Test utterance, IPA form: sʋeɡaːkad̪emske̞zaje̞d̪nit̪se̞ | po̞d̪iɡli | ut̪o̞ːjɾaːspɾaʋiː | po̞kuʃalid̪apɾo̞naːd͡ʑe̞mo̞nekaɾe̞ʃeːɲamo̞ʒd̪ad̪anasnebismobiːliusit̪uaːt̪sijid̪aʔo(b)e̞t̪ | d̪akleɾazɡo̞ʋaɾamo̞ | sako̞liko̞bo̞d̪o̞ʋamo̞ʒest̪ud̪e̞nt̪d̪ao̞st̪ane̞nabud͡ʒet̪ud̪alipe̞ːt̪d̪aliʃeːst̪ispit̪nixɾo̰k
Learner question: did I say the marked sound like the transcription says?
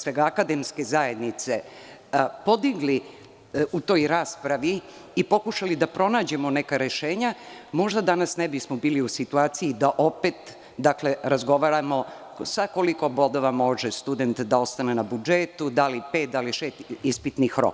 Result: no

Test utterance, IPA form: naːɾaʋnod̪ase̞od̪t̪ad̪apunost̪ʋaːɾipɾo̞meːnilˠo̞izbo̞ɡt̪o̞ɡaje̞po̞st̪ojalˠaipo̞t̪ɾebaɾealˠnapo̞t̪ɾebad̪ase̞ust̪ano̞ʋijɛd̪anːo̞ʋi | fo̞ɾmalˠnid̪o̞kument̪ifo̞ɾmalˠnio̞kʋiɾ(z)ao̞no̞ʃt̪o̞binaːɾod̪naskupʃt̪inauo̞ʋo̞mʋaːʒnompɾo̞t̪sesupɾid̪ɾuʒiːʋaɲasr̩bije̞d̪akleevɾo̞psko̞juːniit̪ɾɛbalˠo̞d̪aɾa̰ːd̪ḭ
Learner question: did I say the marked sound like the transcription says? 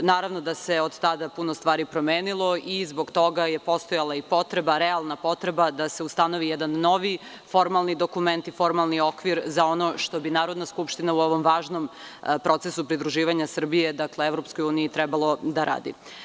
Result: yes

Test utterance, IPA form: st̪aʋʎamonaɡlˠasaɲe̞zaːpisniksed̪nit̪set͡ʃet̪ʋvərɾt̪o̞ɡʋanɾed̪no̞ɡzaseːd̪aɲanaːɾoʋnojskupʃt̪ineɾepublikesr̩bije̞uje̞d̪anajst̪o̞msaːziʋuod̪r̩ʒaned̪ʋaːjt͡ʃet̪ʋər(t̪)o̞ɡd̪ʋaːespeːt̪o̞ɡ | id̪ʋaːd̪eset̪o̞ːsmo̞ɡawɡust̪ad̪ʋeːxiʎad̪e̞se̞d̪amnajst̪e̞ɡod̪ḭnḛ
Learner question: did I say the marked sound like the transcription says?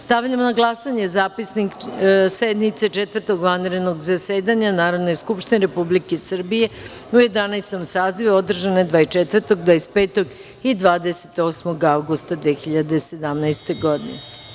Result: yes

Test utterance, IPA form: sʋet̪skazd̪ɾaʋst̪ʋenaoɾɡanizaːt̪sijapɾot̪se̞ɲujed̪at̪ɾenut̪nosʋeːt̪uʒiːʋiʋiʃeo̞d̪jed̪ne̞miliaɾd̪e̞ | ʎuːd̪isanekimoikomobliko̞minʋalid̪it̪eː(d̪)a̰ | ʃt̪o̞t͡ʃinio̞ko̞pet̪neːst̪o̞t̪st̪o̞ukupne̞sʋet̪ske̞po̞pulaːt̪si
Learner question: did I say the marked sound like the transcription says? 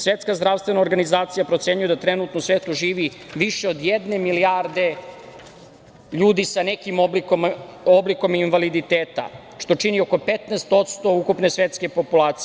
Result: no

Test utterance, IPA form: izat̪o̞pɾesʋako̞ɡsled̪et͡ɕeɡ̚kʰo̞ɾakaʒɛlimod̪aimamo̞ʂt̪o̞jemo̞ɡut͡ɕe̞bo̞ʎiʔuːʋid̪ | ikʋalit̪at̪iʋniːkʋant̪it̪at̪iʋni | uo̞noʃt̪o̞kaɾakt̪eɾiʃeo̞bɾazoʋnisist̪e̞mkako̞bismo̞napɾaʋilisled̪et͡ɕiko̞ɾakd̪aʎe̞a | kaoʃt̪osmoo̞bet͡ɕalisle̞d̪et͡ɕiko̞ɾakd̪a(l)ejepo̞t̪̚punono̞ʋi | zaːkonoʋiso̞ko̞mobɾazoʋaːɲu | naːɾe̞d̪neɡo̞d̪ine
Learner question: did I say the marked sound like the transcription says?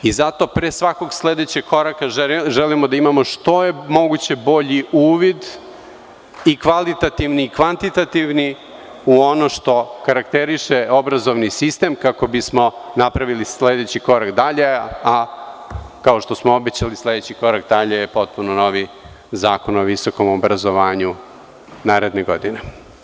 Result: no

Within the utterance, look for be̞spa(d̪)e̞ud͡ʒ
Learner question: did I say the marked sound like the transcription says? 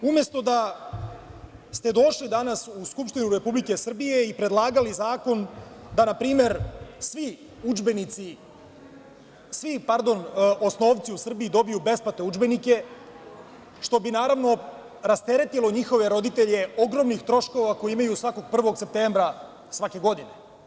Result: no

